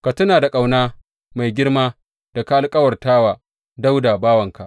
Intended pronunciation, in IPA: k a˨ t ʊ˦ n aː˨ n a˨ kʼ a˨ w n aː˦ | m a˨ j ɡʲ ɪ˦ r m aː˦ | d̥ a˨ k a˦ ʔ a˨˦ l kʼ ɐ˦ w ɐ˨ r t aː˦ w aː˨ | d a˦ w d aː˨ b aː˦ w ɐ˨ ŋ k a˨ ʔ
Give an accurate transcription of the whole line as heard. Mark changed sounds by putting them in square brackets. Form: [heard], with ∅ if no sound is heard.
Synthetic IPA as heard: k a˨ t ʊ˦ n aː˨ [d] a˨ kʼ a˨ w n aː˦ | m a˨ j ɡʲ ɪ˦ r m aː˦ | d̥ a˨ k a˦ ʔ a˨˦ l kʼ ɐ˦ w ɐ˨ r t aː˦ w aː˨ | d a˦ w d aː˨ b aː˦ w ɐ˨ ŋ k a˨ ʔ